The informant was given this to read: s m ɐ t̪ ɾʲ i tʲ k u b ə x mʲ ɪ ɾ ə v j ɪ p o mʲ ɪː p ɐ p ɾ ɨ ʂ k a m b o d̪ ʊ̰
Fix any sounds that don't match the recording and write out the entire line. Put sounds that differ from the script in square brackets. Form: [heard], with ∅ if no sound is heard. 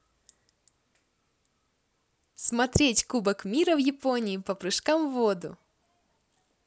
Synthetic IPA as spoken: s m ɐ t̪ ɾʲ [e] tʲ k u b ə [k] mʲ [i] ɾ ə v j ɪ p o [nʲ] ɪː p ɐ p ɾ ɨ ʂ k a m [v] o d̪ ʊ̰